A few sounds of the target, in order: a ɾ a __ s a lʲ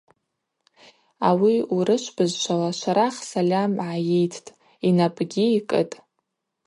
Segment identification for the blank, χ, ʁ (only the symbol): χ